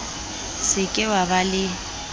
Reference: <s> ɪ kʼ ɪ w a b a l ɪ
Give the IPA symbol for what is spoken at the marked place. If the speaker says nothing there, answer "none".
s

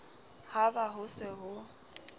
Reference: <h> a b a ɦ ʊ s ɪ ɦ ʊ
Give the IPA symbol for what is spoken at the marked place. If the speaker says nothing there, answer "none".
h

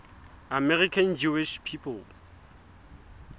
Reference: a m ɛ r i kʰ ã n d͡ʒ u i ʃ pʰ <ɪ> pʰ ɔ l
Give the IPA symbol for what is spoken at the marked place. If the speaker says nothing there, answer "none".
i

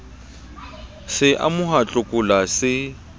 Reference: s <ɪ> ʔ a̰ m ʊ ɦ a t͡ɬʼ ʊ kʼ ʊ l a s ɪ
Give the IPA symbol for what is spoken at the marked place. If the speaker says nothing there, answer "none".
ɪ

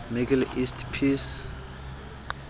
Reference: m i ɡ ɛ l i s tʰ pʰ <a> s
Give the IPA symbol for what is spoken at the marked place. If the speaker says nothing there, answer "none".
i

